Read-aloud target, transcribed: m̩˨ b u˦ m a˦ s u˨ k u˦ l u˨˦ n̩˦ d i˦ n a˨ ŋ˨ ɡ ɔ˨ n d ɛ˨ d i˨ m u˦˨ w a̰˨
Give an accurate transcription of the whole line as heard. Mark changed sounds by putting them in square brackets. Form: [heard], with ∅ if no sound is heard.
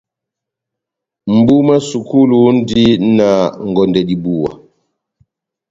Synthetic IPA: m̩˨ b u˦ m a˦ s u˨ k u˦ l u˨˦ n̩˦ d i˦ n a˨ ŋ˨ ɡ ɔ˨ n d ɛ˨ d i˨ [b] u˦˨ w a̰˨